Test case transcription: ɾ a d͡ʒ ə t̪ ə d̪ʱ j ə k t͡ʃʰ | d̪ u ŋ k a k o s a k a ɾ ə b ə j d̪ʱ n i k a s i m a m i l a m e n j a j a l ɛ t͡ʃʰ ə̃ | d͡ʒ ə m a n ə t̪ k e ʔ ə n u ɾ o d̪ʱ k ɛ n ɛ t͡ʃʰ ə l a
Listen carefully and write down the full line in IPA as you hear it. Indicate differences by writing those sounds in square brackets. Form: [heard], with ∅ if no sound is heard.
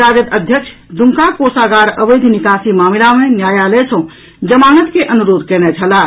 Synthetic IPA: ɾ a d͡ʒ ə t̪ ə d̪ʱ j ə k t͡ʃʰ | d̪ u ŋ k a k o s a [ɡ] a ɾ ə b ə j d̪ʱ n i k a s i m a m i l a m e n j a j a l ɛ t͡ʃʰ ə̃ | d͡ʒ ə m a n ə t̪ k e ʔ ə n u ɾ o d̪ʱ k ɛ n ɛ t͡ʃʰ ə l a